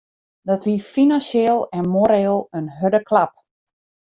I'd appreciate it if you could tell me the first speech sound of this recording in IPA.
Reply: d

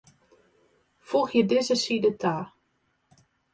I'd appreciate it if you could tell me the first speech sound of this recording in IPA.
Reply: f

